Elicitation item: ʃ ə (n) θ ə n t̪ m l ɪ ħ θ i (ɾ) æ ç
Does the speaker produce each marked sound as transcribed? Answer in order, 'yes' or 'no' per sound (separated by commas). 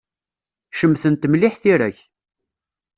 no, yes